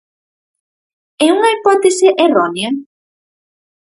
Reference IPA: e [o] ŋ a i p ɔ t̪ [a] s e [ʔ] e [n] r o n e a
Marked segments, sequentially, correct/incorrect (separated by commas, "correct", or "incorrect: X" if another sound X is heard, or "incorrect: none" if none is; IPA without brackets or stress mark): incorrect: u, incorrect: e, correct, incorrect: none